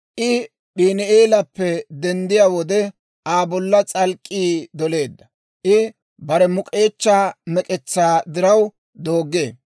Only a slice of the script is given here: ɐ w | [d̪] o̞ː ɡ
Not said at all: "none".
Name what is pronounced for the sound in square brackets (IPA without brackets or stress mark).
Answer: d̪